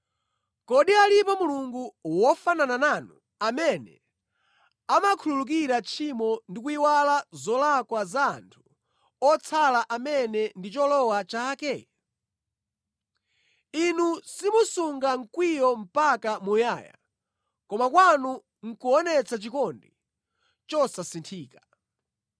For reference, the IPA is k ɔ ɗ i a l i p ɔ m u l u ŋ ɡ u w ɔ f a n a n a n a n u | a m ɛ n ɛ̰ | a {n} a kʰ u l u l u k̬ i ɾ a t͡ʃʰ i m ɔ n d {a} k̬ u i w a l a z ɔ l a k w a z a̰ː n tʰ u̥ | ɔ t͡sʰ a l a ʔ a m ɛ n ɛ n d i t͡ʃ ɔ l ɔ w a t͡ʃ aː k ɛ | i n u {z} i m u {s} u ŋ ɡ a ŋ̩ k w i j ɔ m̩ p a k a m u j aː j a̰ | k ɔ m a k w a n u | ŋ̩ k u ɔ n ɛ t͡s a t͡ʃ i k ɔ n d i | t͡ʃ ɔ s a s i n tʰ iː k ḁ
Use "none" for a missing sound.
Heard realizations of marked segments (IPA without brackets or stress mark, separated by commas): m, i, s, s